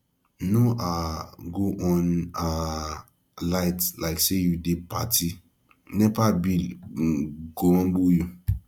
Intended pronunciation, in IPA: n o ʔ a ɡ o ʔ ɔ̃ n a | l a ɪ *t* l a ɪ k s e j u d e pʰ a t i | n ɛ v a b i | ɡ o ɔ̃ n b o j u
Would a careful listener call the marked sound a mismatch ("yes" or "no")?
no